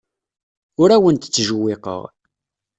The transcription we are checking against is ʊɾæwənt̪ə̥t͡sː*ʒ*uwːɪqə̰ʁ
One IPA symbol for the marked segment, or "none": ʒ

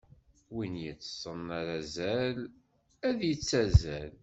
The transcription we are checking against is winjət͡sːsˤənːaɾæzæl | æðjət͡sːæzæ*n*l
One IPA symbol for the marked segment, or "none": none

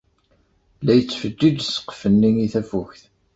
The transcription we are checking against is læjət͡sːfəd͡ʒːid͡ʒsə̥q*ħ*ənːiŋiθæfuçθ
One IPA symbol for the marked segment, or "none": f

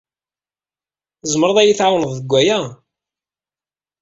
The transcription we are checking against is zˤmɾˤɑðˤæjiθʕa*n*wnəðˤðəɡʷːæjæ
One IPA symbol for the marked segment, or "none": none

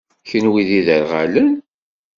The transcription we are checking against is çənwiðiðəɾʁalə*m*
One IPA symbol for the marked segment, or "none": n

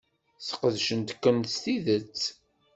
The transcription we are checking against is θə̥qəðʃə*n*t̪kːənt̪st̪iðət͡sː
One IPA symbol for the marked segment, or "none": n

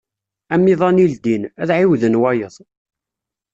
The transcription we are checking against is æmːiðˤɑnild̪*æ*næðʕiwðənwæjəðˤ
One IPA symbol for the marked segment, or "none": i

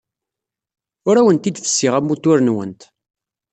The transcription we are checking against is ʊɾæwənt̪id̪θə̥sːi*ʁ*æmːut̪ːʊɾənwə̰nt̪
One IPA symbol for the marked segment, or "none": ʁ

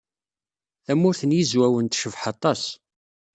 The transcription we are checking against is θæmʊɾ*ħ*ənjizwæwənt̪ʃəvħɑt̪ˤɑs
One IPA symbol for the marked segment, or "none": θ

